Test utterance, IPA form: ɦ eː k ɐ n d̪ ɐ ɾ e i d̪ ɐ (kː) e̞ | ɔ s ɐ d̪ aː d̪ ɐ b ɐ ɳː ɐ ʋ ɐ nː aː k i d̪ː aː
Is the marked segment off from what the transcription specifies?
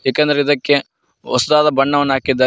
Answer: no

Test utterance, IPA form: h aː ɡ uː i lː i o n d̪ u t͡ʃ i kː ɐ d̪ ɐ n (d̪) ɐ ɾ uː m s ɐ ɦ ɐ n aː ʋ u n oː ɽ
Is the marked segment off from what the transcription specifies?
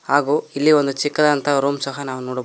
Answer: yes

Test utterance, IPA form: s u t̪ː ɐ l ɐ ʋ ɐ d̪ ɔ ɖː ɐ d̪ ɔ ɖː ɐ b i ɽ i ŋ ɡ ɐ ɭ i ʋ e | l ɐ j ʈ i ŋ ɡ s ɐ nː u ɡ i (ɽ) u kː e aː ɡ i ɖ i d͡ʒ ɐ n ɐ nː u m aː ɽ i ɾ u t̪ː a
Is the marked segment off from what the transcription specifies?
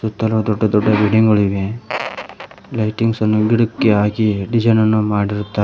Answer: no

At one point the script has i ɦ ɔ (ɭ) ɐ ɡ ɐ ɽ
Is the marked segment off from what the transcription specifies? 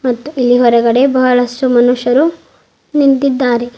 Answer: yes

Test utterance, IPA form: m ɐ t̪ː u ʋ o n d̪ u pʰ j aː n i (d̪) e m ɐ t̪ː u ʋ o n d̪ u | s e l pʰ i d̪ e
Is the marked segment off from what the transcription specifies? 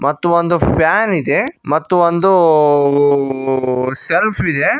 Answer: no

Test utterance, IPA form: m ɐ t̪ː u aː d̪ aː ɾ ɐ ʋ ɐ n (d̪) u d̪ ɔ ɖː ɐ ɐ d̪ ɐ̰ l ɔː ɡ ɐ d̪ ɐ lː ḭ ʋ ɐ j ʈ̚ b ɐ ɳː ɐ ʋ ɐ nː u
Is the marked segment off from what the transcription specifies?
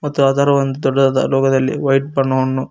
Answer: no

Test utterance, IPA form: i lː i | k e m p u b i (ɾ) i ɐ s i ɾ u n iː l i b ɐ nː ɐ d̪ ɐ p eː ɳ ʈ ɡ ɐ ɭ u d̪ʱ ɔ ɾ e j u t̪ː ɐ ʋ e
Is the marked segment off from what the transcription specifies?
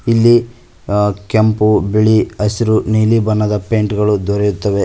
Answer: yes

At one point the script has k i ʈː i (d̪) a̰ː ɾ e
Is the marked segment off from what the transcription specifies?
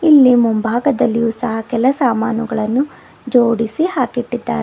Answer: yes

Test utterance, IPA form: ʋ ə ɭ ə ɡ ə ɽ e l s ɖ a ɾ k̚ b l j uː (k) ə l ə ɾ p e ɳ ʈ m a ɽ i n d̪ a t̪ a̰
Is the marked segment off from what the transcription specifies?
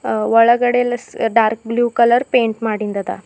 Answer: no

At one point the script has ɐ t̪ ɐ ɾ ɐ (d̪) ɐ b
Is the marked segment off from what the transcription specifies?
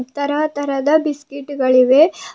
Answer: no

